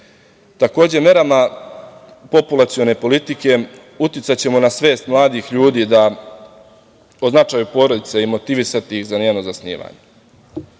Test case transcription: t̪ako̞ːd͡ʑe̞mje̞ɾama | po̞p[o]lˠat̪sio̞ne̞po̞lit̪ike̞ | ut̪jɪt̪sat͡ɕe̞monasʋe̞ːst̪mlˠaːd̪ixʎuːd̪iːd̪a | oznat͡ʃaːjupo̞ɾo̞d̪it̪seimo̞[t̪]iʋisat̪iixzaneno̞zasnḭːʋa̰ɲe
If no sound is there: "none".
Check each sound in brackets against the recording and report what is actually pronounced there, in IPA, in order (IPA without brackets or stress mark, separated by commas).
u, t̪